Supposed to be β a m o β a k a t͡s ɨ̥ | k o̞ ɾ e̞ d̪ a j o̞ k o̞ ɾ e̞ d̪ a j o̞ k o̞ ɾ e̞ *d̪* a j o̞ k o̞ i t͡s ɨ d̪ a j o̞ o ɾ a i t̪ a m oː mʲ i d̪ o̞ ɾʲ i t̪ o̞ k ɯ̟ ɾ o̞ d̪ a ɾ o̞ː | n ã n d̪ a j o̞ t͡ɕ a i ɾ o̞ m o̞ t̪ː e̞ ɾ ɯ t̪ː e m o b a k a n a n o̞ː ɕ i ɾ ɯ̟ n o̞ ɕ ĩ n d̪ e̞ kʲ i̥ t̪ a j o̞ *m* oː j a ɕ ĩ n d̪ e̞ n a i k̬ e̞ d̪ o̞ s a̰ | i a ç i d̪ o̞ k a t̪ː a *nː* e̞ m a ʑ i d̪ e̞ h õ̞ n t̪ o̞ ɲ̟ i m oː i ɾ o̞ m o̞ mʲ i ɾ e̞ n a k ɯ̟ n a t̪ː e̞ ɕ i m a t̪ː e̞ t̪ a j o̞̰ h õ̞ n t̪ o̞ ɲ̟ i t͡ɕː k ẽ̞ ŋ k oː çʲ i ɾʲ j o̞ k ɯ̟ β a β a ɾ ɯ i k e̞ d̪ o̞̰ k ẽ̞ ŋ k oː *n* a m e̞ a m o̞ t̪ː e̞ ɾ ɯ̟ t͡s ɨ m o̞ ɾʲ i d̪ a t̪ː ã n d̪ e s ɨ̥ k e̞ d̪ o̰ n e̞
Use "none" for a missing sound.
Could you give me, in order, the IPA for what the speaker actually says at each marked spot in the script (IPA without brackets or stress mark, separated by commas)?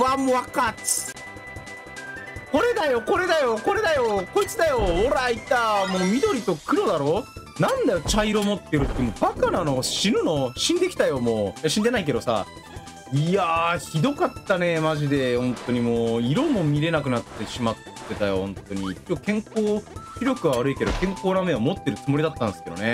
d̪, m, n, n